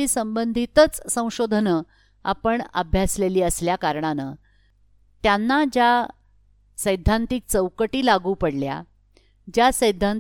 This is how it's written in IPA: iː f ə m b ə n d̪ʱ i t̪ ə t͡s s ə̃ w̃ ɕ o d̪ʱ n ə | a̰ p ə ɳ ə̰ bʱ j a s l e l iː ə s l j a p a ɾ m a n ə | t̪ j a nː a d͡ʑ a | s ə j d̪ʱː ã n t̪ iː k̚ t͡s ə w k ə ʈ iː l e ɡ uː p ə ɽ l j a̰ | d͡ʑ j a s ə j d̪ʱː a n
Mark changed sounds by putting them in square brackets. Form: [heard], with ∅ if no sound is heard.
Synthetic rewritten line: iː [s] ə m b ə n d̪ʱ i t̪ ə t͡s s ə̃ w̃ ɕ o d̪ʱ n ə | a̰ p ə ɳ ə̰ bʱ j a s l e l iː ə s l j a [k] a ɾ [ɳ] a n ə | t̪ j a nː a d͡ʑ a | s ə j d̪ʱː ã n t̪ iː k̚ t͡s ə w k ə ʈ iː l [a] ɡ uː p ə ɽ l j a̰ | d͡ʑ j a s ə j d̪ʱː a n